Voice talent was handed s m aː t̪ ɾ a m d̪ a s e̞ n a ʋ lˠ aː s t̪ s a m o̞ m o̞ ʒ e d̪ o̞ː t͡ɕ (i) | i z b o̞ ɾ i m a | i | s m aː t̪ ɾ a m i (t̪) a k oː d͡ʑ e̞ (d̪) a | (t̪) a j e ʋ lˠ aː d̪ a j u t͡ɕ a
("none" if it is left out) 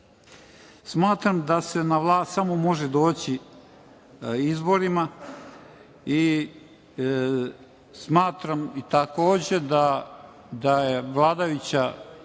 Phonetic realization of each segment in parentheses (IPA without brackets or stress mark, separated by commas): i, t̪, d̪, d̪